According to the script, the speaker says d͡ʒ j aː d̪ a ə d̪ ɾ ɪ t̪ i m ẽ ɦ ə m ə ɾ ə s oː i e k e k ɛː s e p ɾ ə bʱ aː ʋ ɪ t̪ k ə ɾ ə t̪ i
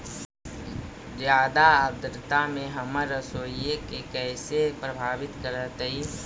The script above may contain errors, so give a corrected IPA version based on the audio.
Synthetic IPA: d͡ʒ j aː d̪ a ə d̪ ɾ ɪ t̪ a m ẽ ɦ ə m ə ɾ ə s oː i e k e k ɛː s e p ɾ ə bʱ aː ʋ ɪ t̪ k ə ɾ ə t̪ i